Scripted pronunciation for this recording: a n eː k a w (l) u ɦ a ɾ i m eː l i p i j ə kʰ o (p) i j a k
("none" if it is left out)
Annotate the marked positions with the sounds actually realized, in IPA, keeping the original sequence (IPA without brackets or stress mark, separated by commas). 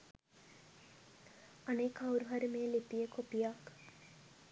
ɾ, p